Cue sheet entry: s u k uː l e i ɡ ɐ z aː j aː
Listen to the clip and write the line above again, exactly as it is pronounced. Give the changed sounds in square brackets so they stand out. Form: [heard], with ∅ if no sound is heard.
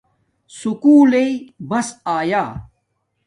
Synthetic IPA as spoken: s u k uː l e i [b] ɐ [s] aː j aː